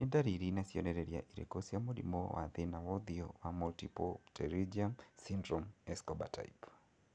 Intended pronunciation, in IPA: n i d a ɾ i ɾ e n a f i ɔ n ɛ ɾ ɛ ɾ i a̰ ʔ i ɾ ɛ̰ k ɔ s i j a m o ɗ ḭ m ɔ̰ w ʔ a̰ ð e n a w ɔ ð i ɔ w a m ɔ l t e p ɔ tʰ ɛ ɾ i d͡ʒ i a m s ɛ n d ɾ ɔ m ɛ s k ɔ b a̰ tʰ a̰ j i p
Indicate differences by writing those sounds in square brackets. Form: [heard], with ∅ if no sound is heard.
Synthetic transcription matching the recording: n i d a ɾ i ɾ [i] n a [s] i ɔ n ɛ ɾ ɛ ɾ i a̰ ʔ i ɾ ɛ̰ k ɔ s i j a m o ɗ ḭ m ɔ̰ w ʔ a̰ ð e n a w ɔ ð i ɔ w a m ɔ l t [i] p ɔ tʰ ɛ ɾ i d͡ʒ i a m s [i] n d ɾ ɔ m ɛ s k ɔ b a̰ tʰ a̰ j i p